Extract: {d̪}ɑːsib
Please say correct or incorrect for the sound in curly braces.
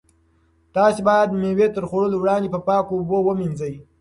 incorrect: t̪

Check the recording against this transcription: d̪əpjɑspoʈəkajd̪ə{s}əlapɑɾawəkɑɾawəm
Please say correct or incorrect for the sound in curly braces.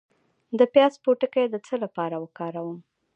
incorrect: t͡s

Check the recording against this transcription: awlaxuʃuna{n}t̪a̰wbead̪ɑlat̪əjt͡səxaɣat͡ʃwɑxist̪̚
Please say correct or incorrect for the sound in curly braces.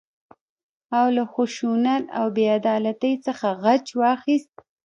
incorrect: none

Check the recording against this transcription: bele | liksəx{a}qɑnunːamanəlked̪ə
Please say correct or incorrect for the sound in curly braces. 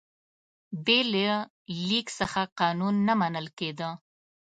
correct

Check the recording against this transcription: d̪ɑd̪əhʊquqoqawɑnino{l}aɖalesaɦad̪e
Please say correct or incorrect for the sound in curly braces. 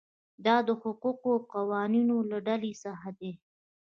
correct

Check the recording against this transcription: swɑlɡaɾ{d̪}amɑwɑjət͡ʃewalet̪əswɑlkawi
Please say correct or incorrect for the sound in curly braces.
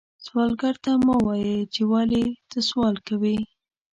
incorrect: t̪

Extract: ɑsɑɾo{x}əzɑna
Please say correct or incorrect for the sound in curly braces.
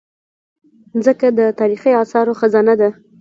correct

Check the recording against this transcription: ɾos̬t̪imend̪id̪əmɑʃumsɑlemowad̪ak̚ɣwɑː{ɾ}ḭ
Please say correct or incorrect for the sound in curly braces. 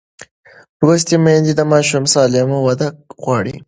incorrect: ɽ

